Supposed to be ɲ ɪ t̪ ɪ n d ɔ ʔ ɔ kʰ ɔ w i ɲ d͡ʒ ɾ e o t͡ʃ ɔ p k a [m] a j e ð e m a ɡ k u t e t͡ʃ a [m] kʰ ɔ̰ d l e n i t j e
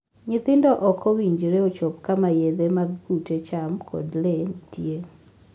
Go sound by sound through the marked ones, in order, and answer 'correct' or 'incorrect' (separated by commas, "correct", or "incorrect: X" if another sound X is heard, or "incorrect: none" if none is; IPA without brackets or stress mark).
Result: correct, correct